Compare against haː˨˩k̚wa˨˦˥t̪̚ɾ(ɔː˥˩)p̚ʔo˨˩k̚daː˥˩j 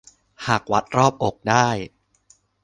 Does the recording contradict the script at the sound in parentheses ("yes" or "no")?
no